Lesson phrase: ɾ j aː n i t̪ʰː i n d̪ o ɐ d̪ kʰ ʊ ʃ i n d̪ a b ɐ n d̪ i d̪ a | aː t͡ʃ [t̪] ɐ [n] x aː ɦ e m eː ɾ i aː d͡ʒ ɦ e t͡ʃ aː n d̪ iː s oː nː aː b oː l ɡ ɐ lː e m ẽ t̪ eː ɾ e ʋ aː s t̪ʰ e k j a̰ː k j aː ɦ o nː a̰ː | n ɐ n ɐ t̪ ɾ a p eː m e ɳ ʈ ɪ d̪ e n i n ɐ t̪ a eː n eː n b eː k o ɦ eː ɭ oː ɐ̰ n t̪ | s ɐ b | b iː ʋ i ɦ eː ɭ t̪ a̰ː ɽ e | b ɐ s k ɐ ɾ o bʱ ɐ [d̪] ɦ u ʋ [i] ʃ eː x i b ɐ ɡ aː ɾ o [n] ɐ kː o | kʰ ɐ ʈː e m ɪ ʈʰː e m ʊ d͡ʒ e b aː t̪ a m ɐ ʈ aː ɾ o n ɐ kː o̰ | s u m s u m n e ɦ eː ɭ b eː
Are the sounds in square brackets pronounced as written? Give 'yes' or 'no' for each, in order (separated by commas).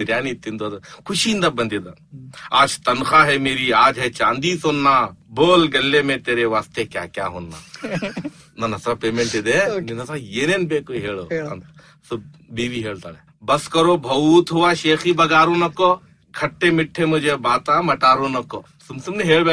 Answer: yes, yes, no, no, yes